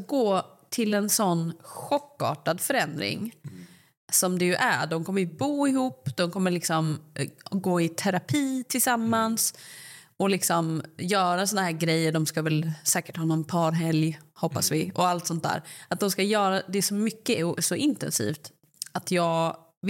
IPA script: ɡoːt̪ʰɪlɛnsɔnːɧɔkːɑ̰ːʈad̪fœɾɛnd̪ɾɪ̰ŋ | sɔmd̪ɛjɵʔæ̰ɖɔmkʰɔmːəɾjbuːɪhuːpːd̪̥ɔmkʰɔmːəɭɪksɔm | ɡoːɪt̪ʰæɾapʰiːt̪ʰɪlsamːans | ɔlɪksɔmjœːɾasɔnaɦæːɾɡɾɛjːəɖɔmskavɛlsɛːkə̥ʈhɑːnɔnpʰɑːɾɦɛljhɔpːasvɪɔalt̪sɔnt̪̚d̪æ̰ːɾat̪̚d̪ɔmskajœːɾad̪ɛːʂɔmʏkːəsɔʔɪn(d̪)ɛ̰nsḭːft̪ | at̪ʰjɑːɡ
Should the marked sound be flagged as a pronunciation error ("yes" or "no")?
yes